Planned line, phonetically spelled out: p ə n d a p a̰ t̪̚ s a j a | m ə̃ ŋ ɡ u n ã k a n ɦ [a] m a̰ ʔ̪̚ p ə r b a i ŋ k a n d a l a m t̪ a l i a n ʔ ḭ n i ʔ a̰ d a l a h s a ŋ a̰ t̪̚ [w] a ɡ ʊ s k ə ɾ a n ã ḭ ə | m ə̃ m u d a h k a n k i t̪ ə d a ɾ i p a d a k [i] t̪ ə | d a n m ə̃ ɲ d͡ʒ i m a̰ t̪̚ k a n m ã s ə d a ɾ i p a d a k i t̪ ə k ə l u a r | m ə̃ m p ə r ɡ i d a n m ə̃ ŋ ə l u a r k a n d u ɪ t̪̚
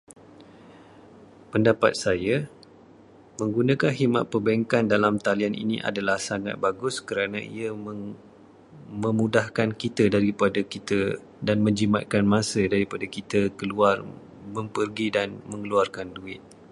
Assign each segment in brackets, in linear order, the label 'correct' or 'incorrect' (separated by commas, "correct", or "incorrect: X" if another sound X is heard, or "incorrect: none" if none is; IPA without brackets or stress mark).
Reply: incorrect: i, incorrect: b, correct